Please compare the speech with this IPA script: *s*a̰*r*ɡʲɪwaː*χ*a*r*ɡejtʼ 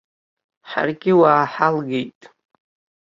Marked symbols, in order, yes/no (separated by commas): no, yes, no, no